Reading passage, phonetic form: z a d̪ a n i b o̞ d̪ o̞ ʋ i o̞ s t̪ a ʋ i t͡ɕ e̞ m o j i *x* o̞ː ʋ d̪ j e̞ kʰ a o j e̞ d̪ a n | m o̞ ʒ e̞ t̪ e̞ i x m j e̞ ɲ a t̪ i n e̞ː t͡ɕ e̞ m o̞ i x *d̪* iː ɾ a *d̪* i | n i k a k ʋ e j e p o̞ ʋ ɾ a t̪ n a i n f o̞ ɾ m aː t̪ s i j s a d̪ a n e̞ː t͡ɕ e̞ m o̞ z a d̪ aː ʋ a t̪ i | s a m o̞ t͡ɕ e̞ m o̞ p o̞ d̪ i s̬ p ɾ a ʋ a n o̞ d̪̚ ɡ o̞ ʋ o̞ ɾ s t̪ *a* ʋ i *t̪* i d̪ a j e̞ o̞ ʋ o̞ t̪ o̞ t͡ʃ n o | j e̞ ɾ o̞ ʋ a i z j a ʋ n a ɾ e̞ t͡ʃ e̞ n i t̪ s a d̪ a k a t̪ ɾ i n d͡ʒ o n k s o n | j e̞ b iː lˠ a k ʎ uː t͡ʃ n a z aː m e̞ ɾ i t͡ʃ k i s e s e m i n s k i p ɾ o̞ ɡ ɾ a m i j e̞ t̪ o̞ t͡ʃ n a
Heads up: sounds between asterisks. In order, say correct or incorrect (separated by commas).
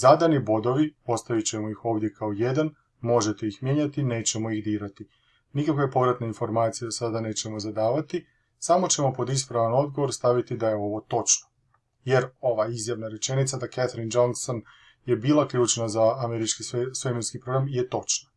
correct, correct, incorrect, correct, correct